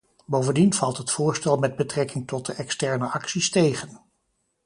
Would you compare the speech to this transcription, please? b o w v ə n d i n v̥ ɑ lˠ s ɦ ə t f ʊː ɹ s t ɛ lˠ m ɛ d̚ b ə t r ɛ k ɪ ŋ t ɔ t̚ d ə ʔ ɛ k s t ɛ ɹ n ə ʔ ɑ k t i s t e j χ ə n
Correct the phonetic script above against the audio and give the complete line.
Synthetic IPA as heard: b o w v ə n d i n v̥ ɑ lˠ t ɦ ə t f ʊː ɹ s t ɛ lˠ m ɛ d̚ b ə t r ɛ k ɪ ŋ t ɔ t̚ d ə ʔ ɛ k s t ɛ ɹ n ə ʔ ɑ k s i s t e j χ ə n